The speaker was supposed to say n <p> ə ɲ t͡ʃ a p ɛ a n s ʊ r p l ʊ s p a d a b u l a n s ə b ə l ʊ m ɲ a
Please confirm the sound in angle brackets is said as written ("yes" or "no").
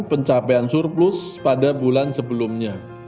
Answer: yes